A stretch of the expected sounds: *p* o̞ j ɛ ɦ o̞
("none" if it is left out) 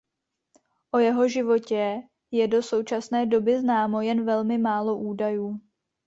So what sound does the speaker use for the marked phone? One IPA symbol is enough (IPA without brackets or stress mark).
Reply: ʔ